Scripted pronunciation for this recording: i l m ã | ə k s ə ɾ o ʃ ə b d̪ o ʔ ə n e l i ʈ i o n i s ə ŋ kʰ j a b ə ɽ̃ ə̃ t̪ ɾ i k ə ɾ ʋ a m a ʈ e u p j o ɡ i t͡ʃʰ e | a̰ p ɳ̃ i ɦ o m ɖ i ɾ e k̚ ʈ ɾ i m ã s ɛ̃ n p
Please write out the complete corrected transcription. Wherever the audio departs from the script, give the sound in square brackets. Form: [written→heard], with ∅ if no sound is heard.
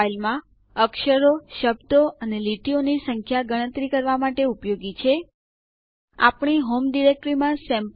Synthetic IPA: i l m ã | ə k [s→ʃ] ə ɾ o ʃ ə b d̪ o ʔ ə n e l i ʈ i o n i s ə ŋ kʰ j a [b→ɡ] ə ɽ̃ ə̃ t̪ ɾ i k ə ɾ ʋ a m a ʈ e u p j o ɡ i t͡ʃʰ e | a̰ p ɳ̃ i ɦ o m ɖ i ɾ e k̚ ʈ ɾ i m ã s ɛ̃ [n→m] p